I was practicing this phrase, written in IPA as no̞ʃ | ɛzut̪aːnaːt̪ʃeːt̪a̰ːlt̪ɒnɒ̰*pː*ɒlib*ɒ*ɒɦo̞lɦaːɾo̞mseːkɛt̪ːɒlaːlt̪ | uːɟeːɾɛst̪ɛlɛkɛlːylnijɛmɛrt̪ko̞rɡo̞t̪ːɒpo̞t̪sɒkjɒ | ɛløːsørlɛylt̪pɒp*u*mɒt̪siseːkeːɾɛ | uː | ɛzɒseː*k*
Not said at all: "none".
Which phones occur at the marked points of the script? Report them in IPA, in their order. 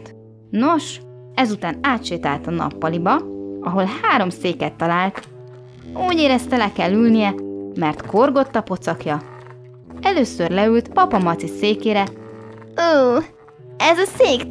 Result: pː, ɒ, ɒ, k

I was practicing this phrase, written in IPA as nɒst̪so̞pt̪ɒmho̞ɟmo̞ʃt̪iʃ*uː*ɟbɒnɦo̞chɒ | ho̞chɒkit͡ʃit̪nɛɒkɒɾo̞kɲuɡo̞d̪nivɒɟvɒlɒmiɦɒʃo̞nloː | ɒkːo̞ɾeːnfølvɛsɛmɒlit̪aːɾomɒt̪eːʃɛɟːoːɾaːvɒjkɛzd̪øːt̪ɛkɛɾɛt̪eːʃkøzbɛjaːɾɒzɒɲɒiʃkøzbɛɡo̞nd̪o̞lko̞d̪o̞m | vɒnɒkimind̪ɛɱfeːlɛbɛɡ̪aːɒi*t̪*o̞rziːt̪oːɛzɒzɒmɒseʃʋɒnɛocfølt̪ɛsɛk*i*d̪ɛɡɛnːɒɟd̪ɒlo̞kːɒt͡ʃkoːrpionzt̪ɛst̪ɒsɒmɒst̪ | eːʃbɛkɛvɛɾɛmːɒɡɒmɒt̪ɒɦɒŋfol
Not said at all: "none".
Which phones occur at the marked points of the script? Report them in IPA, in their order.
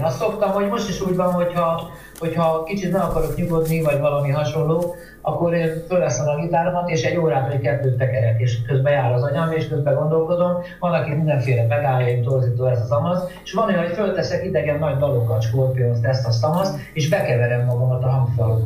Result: uː, t̪, i

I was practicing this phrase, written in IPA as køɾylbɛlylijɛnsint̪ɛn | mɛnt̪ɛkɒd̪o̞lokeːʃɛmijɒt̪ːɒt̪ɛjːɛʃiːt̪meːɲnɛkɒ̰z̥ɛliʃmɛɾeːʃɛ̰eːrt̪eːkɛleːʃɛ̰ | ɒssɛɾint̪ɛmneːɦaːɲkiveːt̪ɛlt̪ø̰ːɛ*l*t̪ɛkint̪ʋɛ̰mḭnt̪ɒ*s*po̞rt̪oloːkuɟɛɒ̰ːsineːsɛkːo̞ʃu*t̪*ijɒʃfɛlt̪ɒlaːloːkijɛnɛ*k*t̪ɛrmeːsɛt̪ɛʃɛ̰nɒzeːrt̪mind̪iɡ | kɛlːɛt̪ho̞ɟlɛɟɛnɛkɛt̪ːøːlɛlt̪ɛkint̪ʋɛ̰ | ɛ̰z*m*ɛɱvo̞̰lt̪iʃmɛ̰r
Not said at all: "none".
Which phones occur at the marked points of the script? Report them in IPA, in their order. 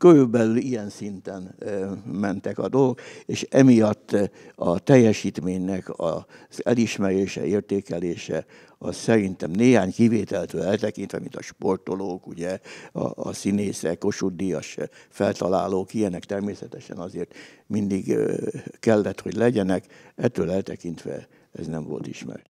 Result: l, ʃ, d̪, k, n

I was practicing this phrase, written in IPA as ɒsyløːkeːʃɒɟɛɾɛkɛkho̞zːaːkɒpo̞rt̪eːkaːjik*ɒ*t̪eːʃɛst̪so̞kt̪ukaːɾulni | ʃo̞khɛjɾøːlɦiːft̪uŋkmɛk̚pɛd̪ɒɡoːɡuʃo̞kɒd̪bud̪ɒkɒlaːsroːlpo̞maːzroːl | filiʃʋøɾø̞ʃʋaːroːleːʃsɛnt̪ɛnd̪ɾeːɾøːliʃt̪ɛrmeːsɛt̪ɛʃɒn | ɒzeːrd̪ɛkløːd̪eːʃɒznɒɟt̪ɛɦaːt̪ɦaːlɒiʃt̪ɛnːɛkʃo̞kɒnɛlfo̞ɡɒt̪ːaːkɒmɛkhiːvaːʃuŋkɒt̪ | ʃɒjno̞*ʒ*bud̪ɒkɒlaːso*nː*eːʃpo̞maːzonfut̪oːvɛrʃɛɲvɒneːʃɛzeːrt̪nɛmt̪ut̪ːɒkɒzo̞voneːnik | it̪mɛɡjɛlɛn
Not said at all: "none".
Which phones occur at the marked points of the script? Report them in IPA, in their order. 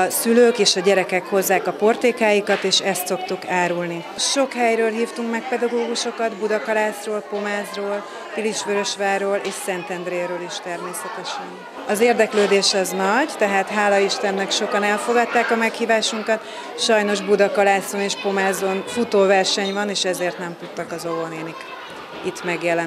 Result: ɒ, ʒ, n

